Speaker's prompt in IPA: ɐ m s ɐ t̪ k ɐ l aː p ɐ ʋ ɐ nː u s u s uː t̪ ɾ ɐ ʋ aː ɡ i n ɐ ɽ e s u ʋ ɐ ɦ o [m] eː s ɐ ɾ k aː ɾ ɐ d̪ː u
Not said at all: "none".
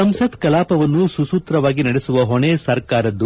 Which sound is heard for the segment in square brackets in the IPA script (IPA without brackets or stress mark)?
ɳ